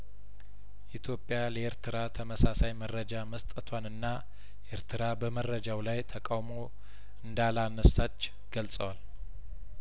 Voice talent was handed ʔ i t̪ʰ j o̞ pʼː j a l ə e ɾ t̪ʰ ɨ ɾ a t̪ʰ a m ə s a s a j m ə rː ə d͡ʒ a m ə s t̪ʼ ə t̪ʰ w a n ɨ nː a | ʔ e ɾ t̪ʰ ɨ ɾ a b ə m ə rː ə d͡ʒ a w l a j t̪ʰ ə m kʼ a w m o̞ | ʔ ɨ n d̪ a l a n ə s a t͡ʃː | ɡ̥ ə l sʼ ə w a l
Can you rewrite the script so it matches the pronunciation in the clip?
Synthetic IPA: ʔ i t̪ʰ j o̞ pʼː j a l ə e ɾ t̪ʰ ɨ ɾ a t̪ʰ ə m ə s a s a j m ə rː ə d͡ʒ a m ə s t̪ʼ ə t̪ʰ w a n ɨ nː a | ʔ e ɾ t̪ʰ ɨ ɾ a b ə m ə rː ə d͡ʒ a w l a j t̪ʰ ə kʼ a w m o̞ | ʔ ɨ n d̪ a l a n ə s a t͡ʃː | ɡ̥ ə l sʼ ə w a l